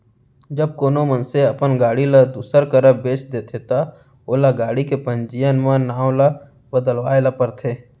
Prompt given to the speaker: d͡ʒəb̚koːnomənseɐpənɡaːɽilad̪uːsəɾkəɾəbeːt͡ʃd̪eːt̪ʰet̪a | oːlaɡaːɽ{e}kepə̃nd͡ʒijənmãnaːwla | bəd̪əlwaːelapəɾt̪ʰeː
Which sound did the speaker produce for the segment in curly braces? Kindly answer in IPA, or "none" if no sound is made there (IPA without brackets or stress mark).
i